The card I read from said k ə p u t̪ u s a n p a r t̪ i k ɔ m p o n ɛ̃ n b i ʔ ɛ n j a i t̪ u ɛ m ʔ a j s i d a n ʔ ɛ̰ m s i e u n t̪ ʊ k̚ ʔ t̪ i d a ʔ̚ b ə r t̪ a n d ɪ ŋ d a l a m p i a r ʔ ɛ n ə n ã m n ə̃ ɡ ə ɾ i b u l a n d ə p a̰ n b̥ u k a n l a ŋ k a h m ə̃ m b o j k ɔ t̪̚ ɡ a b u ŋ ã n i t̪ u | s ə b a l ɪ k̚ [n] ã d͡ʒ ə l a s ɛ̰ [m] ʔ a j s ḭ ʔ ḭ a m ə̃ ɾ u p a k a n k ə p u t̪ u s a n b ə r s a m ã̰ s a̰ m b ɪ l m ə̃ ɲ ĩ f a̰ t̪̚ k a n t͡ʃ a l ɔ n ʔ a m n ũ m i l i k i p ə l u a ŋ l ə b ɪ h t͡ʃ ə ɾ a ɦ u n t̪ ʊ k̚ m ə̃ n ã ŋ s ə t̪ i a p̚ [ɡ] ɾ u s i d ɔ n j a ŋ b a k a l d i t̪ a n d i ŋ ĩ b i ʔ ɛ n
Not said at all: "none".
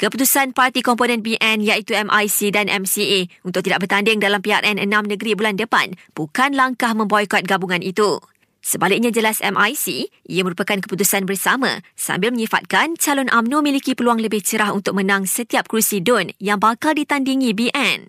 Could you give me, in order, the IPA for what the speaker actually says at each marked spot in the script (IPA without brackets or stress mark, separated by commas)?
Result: ɲ, m, k